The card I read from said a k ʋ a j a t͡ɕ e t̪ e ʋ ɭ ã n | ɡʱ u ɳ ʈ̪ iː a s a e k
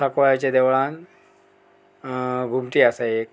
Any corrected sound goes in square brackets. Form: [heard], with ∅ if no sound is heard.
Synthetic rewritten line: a k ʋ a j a t͡ɕ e [d̪] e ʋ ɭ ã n | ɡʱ u [m] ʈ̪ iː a s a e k

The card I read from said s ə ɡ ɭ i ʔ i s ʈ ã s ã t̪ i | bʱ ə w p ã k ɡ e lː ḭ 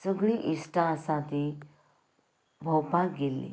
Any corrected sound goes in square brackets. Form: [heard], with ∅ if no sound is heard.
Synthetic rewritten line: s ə ɡ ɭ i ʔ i s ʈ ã s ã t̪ i | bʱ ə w p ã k ɡ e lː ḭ

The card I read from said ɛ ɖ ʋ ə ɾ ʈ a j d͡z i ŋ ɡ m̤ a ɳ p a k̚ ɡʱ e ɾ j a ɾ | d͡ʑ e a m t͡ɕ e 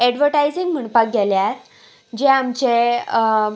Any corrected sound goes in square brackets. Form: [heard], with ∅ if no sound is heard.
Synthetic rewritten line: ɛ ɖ ʋ ə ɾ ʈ a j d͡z i ŋ ɡ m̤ [ə] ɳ p a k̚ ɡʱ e [l] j a ɾ | d͡ʑ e a m t͡ɕ e

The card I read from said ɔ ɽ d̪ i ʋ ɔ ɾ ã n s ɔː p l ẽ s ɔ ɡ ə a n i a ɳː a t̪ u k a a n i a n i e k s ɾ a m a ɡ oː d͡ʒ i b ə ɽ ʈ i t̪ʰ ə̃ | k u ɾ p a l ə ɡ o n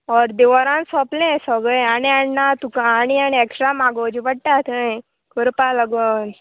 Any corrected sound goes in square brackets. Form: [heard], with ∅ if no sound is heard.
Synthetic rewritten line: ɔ [ɾ] d̪ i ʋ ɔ ɾ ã n s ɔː p l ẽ s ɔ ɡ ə a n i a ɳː a t̪ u k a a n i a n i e k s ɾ a m a ɡ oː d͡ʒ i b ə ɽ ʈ [a] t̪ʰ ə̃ | k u ɾ p a l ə ɡ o n

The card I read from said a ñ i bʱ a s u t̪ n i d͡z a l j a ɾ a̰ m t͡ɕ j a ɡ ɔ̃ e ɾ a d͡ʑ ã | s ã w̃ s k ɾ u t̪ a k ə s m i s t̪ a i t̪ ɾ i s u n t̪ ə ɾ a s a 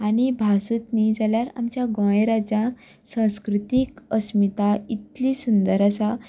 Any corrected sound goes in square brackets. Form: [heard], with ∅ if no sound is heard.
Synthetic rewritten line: a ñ i bʱ a s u t̪ n i d͡z a l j a ɾ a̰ m t͡ɕ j a ɡ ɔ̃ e ɾ a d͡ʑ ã | s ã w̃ s k ɾ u t̪ [i] k ə s m i [∅] t̪ a i t̪ [l] i s u n [d̪] ə ɾ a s a

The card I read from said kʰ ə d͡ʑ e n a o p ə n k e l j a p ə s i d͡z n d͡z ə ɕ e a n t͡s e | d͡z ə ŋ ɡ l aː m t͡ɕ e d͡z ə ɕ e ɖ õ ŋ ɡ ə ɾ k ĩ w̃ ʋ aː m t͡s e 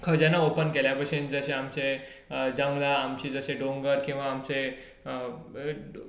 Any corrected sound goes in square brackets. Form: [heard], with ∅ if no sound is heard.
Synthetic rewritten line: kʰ ə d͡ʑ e n a o p ə n k e l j a p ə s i [∅] n d͡z ə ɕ e a [m] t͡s e | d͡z ə ŋ ɡ l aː m t͡ɕ [i] d͡z ə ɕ e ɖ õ ŋ ɡ ə ɾ k ĩ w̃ ʋ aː m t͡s e

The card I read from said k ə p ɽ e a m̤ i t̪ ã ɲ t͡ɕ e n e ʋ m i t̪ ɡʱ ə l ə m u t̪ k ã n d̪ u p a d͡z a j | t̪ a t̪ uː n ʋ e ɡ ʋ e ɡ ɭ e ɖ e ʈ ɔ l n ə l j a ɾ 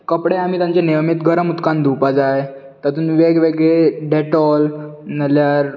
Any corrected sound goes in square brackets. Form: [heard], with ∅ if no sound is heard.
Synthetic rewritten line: k ə p ɽ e a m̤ i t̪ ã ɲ t͡ɕ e n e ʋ m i t̪ ɡʱ ə [ɾ] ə m u t̪ k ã n d̪ u p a d͡z a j | t̪ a t̪ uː n ʋ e ɡ ʋ e ɡ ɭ e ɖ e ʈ ɔ l n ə l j a ɾ

